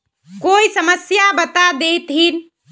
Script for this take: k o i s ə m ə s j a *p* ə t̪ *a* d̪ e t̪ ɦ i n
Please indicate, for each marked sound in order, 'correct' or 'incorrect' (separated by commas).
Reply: incorrect, correct